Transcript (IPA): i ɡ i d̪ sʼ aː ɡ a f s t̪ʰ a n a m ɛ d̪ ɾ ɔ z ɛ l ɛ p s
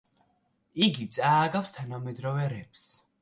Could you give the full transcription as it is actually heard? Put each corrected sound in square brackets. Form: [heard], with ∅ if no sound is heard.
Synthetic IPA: i ɡ i [t̪] sʼ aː ɡ a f s t̪ʰ a n a m ɛ d̪ ɾ ɔ [v] ɛ [ɾ] ɛ p s